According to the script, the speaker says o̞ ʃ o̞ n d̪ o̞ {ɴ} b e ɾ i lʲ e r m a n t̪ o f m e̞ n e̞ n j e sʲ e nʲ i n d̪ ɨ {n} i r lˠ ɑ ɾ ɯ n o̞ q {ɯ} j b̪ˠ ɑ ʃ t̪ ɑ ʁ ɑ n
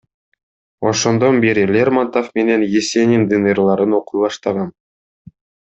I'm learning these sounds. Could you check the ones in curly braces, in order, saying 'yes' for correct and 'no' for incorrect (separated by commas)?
no, yes, no